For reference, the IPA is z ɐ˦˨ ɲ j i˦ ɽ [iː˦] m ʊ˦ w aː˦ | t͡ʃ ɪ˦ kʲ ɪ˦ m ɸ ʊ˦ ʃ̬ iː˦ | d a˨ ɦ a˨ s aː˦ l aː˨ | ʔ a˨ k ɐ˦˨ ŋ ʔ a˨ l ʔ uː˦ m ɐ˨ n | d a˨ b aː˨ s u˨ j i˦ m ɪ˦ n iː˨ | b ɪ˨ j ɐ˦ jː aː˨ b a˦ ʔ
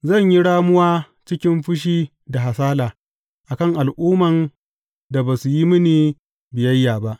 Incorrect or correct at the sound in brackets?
incorrect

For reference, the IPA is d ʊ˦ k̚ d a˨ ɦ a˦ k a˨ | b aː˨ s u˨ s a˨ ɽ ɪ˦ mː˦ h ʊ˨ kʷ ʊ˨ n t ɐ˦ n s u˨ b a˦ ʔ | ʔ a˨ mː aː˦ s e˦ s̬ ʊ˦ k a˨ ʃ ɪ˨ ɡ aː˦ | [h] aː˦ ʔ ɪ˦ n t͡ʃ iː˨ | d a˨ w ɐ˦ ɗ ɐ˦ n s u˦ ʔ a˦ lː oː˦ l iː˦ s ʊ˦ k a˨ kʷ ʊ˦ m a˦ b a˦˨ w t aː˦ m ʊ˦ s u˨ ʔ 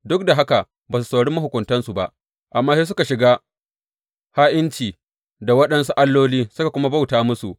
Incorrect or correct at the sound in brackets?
correct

